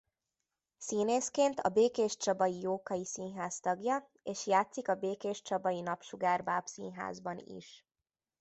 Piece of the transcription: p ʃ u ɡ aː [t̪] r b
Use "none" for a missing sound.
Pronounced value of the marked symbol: none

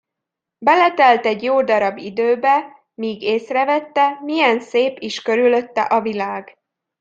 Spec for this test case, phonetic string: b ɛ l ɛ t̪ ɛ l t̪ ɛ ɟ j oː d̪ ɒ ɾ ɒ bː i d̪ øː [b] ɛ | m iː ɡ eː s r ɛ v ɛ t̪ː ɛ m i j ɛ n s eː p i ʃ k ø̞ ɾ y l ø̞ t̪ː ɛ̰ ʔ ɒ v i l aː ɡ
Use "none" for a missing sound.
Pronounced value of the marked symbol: b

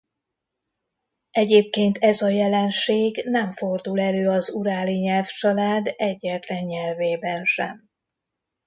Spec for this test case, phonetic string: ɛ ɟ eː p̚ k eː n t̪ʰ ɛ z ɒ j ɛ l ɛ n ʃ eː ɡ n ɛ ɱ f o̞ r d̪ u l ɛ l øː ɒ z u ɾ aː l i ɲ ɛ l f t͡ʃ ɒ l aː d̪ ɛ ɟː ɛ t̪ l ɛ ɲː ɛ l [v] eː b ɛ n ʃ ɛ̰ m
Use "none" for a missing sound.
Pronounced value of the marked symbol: v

